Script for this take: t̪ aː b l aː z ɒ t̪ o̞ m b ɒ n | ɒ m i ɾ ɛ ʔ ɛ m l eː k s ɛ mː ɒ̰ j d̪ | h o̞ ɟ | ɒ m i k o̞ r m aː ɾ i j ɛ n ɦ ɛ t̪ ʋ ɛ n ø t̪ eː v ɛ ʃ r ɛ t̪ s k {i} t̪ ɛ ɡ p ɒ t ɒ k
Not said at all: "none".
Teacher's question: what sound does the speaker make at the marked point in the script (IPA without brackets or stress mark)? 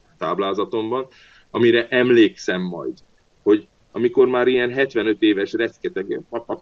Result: ɛ